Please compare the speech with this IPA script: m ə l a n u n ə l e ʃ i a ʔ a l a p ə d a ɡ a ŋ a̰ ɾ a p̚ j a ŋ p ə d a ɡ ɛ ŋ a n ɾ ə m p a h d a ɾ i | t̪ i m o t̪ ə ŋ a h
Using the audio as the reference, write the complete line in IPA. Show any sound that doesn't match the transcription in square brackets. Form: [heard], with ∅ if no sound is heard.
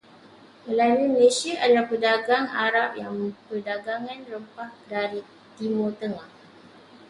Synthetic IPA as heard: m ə l a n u [m] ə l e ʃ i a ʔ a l a p ə d a ɡ a ŋ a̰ ɾ a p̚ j a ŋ p ə d a ɡ [a] ŋ a n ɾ ə m p a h d a ɾ i | t̪ i m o t̪ ə ŋ a h

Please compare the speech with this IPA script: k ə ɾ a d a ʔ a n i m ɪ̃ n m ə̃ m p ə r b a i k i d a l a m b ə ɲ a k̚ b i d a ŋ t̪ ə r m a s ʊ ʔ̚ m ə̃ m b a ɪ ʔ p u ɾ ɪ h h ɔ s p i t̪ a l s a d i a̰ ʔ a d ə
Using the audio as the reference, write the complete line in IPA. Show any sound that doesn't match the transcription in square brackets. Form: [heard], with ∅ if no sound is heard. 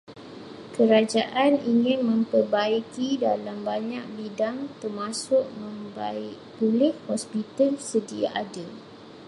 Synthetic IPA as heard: k ə ɾ a [d͡ʒ] a ʔ a n i [ŋ] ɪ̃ n m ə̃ m p ə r b a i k i d a l a m b [a] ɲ a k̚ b i d a ŋ t̪ ə r m a s ʊ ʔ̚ m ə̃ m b a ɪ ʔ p u [l] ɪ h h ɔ s p i t̪ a l s [ə] d i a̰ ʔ a d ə

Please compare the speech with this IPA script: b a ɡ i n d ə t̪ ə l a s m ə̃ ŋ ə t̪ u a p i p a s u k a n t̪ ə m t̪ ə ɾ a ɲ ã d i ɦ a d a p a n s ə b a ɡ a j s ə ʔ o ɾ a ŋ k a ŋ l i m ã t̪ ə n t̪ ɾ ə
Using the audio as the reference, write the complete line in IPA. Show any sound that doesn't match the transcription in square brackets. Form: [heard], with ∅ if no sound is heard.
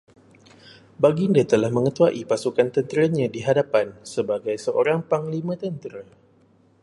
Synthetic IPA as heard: b a ɡ i n d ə t̪ ə l a [h] m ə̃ ŋ ə t̪ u a [ʔ] i p a s u k a n t̪ ə [n] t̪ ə ɾ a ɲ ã d i ɦ a d a p a n s ə b a ɡ a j s ə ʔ o ɾ a ŋ [p] a ŋ l i m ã t̪ ə n t̪ ɾ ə

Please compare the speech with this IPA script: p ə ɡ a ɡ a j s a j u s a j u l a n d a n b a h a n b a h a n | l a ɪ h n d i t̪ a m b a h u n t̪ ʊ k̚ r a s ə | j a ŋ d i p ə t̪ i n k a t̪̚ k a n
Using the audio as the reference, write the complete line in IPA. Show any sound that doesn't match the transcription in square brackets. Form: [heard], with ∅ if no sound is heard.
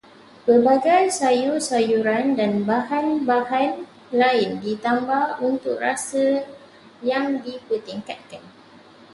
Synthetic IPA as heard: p ə [b] a ɡ a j s a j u s a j u [ɾ] a n d a n b a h a n b a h a n | l a ɪ [∅] n d i t̪ a m b a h u n t̪ ʊ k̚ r a s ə | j a ŋ d i p ə t̪ i [ŋ] k a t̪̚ k a n

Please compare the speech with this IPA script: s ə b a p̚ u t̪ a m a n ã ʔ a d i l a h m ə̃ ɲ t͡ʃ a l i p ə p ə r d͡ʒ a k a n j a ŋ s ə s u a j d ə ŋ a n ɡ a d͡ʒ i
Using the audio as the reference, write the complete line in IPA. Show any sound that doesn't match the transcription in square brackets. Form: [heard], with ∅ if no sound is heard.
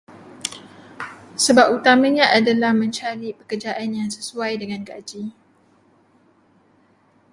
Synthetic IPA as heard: s ə b a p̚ u t̪ a m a [ɲ] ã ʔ a d [a] l a h m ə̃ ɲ t͡ʃ a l i p ə [k] ə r d͡ʒ a [ʔ] a n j a ŋ s ə s u a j d ə ŋ a n ɡ a d͡ʒ i

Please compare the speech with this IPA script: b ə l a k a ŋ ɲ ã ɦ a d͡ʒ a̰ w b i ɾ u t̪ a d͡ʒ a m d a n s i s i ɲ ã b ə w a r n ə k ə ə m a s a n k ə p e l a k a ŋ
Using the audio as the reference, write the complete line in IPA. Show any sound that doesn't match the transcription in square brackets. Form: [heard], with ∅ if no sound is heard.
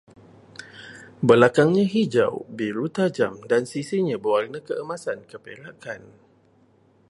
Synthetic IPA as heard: b ə l a k a ŋ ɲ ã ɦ [i] d͡ʒ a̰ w b i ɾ u t̪ a d͡ʒ a m d a n s i s i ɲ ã b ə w a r n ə k ə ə m a s a n k ə p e l a k a [n]

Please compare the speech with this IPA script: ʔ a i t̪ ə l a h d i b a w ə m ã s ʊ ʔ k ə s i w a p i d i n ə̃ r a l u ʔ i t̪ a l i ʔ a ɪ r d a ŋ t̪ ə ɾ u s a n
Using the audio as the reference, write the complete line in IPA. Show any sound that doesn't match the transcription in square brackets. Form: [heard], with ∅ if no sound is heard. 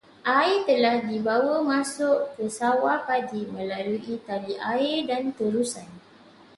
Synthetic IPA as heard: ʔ a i t̪ ə l a h d i b a w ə m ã s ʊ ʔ k ə s [a] w a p [a] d i [m] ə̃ [l] a l u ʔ i t̪ a l i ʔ a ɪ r d a [n] t̪ ə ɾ u s a n

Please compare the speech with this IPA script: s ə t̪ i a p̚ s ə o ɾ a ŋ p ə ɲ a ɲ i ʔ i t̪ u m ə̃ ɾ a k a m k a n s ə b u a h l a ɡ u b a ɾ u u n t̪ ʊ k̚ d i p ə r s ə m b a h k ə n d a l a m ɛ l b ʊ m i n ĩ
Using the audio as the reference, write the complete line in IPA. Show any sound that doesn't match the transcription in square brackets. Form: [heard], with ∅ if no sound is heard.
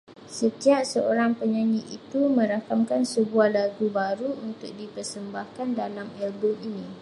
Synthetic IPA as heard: s ə t̪ i a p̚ s ə o ɾ a ŋ p ə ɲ a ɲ i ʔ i t̪ u m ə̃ ɾ a k a m k a n s ə b u a h l a ɡ u b a ɾ u u n t̪ ʊ k̚ d i p ə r s ə m b a h k [a] n d a l a m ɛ l b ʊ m i n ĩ

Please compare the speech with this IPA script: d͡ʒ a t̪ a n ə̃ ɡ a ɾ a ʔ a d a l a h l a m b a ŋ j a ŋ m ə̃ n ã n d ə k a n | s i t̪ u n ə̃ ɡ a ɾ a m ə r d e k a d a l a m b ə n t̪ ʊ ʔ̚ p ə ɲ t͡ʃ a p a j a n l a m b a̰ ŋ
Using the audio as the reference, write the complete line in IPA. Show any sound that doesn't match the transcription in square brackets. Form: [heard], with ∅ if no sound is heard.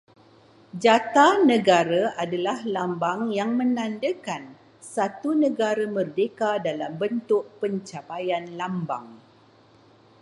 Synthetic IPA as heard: d͡ʒ a t̪ a n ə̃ ɡ a ɾ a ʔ a d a l a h l a m b a ŋ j a ŋ m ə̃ n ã n d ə k a n | s [a] t̪ u n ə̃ ɡ a ɾ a m ə r d e k a d a l a m b ə n t̪ ʊ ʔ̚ p ə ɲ t͡ʃ a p a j a n l a m b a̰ ŋ

